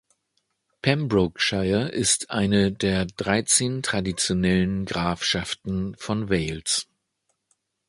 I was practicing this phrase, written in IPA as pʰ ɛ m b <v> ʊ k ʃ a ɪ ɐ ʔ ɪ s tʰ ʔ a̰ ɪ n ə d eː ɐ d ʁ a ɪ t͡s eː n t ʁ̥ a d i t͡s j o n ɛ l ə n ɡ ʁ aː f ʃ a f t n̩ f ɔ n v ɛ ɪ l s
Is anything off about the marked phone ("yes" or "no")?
yes